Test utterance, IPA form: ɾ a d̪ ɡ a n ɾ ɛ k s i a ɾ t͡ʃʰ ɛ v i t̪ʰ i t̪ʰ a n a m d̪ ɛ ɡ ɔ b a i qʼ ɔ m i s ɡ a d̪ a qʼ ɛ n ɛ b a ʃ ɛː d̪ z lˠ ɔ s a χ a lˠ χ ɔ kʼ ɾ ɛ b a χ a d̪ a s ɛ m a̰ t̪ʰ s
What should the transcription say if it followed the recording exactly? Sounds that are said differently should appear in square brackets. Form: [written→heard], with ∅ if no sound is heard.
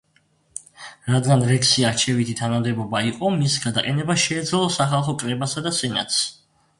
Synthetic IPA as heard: ɾ a d̪ ɡ a n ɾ ɛ k s i a ɾ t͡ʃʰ ɛ v i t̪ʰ i t̪ʰ a n a m d̪ ɛ [ɡ→b] ɔ b a i qʼ ɔ m i s ɡ a d̪ a qʼ ɛ n ɛ b a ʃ ɛː d̪ z lˠ ɔ s a χ a lˠ χ ɔ kʼ ɾ ɛ b a [χ→s] a d̪ a s ɛ [m→n] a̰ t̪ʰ s